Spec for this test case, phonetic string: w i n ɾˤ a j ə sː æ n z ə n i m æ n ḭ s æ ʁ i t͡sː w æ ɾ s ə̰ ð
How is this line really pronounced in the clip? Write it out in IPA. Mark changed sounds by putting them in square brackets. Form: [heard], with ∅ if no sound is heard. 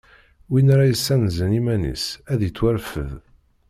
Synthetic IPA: w i n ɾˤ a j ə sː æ n z ə n i m æ n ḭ s æ [ð] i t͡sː w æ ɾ [f] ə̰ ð